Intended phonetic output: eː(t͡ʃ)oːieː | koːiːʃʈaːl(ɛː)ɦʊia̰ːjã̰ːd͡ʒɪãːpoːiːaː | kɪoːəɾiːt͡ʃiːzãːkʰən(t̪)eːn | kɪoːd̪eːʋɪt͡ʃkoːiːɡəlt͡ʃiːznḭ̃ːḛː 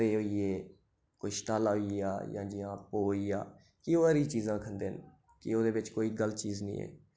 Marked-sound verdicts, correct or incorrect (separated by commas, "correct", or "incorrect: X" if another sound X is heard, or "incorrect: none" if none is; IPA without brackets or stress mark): incorrect: none, incorrect: aː, incorrect: d̪